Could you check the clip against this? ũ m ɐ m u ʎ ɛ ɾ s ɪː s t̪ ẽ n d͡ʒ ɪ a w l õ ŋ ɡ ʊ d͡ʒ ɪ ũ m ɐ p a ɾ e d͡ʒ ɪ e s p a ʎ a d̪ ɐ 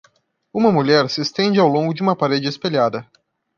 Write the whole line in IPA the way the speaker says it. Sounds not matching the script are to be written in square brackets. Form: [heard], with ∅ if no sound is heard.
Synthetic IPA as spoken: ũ m ɐ m u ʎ ɛ ɾ s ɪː s t̪ ẽ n d͡ʒ ɪ a w l õ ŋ ɡ ʊ d͡ʒ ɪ ũ m ɐ p a ɾ e d͡ʒ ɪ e s p [e] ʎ a d̪ ɐ